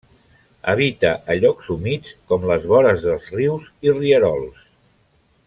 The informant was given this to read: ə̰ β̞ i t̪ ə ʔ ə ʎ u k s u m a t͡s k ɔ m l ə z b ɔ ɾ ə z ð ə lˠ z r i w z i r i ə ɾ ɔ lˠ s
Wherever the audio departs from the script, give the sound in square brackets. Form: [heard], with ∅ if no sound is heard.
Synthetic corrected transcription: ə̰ β̞ i t̪ ə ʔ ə ʎ [ɔ] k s u m [i] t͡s k ɔ m l ə z [β] ɔ ɾ ə z ð ə lˠ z r i w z i r i ə ɾ ɔ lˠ s